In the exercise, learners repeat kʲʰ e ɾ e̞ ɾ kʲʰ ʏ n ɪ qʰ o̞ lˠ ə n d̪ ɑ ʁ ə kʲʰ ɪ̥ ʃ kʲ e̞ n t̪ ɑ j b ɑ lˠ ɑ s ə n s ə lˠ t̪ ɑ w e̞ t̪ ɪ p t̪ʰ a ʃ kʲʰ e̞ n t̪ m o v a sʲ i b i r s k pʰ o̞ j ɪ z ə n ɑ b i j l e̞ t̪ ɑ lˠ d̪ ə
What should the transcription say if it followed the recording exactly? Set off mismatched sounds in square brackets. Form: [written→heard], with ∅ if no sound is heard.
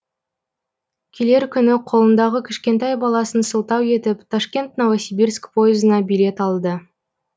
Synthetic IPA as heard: kʲʰ e [ɾ→l] e̞ ɾ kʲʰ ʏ n ɪ qʰ o̞ lˠ ə n d̪ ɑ ʁ ə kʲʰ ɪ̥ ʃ kʲ e̞ n t̪ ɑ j b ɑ lˠ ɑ s ə n s ə lˠ t̪ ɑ w e̞ t̪ ɪ p t̪ʰ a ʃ [kʲʰ→kʲ] e̞ n t̪ [m→n] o v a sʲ i b i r s k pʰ o̞ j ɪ z ə n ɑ b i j l e̞ t̪ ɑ lˠ d̪ ə